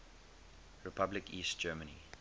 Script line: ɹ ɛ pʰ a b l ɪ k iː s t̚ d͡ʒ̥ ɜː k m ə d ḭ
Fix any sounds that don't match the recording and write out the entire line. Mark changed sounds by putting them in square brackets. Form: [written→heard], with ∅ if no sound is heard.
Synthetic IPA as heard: ɹ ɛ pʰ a b l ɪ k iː s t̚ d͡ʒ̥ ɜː [k→∅] m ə [d→n] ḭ